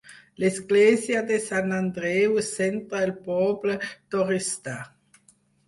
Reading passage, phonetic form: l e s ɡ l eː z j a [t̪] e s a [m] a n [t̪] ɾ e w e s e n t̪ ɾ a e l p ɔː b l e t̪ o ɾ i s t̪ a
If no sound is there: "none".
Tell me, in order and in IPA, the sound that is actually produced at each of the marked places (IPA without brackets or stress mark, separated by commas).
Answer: d̪, n, d̪